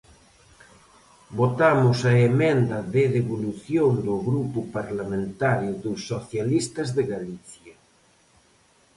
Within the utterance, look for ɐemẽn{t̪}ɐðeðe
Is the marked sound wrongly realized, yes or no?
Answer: yes